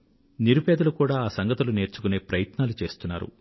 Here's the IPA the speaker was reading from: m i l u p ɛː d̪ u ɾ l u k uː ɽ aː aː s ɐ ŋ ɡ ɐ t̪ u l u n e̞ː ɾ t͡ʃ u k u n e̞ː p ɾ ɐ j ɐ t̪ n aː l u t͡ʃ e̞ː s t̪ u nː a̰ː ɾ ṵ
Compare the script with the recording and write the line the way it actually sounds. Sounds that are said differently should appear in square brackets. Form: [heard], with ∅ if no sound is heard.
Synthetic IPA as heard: [n] i [ɾ] u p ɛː d̪ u [∅] l u k uː ɽ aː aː s ɐ ŋ ɡ ɐ t̪ u l u n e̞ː ɾ t͡ʃ u k u n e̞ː p ɾ ɐ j ɐ t̪ n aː l u t͡ʃ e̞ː s t̪ u nː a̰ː ɾ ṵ